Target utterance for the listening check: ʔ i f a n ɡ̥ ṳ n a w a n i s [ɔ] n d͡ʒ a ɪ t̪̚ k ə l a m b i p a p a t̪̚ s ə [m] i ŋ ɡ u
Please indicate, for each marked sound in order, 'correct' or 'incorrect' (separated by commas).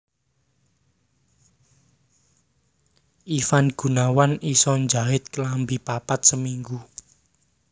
correct, correct